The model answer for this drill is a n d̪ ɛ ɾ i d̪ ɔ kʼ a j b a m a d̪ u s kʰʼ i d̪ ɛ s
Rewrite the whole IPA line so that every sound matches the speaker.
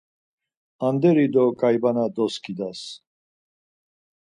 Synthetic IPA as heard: a n d̪ ɛ ɾ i d̪ ɔ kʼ a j b a n a d̪ ɔ s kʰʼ i d̪ a s